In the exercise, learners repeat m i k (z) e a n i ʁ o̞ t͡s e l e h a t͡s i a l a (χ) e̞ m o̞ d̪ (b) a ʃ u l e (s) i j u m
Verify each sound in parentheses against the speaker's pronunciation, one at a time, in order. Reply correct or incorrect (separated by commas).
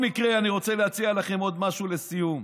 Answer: incorrect, correct, incorrect, correct